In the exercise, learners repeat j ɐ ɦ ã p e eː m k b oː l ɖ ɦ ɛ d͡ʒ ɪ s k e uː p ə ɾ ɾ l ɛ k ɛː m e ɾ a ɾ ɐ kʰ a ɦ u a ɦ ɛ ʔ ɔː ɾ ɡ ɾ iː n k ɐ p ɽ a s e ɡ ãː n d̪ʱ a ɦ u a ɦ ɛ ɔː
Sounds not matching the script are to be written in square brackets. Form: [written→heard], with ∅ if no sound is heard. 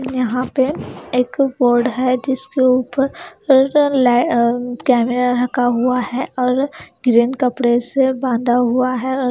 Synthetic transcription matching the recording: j ɐ ɦ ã p e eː [m→∅] k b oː [l→ɾ] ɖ ɦ ɛ d͡ʒ ɪ s k e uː p ə ɾ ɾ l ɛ k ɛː m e ɾ a ɾ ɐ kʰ a ɦ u a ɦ ɛ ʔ ɔː ɾ ɡ ɾ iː n k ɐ p ɽ [a→e] s e [ɡ→b] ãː n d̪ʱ a ɦ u a ɦ ɛ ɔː